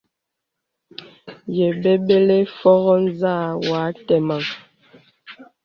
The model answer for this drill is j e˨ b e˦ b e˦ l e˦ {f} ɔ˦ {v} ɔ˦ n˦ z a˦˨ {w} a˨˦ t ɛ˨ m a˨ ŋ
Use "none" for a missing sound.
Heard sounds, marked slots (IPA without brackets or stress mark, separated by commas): f, ɣ, w